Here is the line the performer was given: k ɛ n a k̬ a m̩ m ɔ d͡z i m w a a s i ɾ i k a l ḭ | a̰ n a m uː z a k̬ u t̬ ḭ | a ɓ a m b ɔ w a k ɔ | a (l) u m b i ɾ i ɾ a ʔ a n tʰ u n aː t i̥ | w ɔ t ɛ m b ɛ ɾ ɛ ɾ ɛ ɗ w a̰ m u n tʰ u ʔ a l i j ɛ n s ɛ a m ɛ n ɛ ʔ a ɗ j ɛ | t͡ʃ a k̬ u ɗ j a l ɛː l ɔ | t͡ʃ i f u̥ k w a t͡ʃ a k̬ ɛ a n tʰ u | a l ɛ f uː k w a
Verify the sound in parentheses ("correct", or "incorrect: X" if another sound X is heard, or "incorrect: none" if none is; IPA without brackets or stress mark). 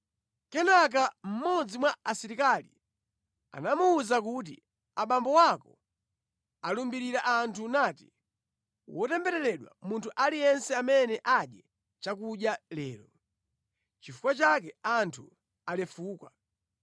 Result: correct